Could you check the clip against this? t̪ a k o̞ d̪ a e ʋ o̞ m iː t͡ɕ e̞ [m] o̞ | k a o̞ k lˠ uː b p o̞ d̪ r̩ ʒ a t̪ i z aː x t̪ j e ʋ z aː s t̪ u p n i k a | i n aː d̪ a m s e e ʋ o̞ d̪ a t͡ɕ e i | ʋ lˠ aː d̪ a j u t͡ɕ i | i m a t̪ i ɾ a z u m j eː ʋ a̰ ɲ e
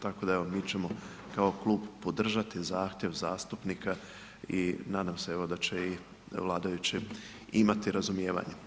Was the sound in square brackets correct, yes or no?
yes